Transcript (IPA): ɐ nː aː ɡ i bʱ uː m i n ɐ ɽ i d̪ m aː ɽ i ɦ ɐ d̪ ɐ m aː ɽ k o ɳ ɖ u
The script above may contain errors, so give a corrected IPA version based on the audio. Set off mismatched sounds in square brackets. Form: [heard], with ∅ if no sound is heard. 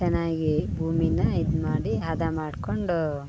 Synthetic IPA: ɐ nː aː ɡ i bʱ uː m i n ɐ [∅] i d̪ m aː ɽ i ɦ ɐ d̪ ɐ m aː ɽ k o ɳ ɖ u